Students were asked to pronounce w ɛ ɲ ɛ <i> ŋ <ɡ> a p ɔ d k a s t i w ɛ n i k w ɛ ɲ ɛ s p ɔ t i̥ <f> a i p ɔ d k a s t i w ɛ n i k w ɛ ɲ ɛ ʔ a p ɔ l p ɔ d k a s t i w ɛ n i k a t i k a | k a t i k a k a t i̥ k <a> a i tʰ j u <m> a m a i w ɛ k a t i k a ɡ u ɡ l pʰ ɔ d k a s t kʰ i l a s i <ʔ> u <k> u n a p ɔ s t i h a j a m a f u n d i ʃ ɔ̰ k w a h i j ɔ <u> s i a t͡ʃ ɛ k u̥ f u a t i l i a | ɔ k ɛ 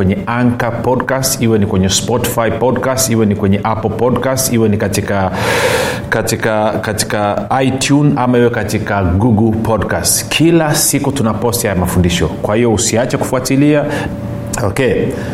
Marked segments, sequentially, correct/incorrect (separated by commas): incorrect, incorrect, correct, correct, incorrect, incorrect, incorrect, correct